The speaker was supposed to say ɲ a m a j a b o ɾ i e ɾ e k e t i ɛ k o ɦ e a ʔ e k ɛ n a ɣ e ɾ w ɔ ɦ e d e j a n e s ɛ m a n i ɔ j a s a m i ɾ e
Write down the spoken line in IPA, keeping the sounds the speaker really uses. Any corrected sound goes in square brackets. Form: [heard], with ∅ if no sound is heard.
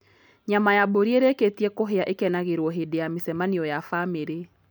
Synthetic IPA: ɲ a m a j a b o ɾ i e ɾ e k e t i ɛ k o ɦ e a ʔ e k ɛ n a ɣ e ɾ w ɔ ɦ e d e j a [m] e s ɛ m a n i ɔ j a [f] a m [e] ɾ e